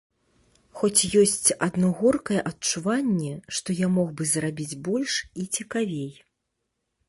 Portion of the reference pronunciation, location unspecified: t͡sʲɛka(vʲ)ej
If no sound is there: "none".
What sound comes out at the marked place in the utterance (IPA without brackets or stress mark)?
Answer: vʲ